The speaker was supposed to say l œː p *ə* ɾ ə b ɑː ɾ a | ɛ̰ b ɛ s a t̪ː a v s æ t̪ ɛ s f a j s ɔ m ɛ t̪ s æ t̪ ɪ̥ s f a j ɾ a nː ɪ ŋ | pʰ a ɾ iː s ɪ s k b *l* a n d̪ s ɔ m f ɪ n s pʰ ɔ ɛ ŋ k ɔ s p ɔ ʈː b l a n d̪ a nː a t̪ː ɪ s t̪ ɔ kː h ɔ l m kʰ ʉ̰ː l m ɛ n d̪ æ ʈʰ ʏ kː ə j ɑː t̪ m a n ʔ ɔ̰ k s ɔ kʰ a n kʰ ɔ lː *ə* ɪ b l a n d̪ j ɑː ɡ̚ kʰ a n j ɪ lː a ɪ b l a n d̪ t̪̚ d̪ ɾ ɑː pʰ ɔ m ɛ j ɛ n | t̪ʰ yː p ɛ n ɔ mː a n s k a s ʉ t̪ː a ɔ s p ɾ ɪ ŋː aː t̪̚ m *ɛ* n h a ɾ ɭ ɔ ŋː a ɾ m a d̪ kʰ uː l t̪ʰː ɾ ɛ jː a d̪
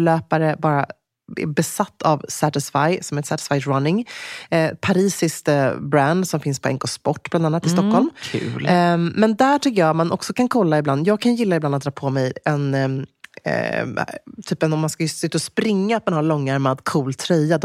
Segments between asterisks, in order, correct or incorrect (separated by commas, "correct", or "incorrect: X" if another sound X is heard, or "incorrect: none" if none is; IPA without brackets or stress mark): incorrect: a, incorrect: ɾ, incorrect: a, incorrect: a